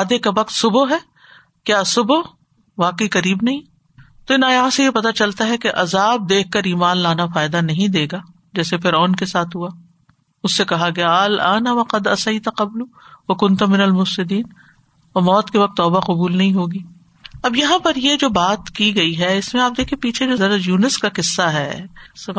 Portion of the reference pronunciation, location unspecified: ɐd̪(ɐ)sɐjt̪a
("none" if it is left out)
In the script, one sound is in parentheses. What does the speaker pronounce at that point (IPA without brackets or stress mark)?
ɐ